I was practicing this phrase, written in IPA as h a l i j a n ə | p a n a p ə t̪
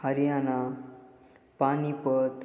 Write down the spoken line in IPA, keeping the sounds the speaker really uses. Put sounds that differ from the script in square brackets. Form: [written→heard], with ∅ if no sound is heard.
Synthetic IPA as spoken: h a [l→ɾ] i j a n [ə→a] | p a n [a→i] p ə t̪